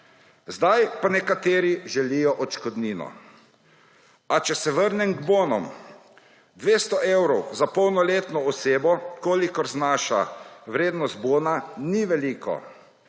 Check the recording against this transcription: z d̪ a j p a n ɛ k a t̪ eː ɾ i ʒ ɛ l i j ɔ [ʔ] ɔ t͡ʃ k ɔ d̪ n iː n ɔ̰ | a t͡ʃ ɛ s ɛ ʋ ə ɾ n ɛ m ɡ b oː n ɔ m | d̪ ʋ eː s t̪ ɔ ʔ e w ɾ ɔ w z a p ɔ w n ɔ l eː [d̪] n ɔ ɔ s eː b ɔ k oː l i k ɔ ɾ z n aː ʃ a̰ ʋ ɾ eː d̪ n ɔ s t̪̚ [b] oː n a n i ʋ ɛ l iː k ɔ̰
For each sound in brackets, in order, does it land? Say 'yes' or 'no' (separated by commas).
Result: yes, no, yes